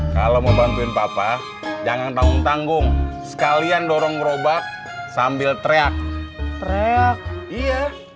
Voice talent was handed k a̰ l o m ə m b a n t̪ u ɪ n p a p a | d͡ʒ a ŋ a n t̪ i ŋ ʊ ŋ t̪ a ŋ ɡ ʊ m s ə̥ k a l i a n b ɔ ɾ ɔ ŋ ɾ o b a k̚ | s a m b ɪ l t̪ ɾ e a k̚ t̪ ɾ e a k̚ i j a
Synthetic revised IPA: k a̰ l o m ə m b a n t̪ u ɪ n p a p a | d͡ʒ a ŋ a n t̪ a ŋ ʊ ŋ t̪ a ŋ ɡ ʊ ŋ s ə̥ k a l i a n d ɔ ɾ ɔ ŋ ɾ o b a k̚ | s a m b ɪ l t̪ ɾ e a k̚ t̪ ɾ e a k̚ i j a